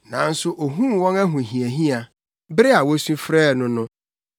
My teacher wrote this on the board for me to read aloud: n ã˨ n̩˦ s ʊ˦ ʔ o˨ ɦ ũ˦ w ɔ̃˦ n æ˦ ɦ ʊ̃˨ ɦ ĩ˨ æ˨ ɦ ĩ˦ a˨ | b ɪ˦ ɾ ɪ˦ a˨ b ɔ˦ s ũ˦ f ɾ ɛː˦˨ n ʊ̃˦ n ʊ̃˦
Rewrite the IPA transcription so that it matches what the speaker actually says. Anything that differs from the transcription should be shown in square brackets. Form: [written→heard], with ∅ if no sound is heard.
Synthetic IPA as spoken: n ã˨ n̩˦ s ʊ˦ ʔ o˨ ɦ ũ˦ w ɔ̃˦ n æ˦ ɦ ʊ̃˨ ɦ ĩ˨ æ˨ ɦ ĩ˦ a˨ | b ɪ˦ ɾ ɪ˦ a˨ [b→w] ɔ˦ s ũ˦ f ɾ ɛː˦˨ n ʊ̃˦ n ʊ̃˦